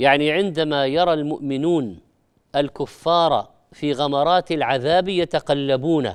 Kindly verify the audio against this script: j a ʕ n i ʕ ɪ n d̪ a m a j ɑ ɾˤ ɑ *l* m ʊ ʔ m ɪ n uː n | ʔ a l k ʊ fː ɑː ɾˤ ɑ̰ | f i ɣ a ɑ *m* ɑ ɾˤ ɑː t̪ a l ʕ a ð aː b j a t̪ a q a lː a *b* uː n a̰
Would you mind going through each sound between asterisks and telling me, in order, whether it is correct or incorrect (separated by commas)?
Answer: correct, correct, correct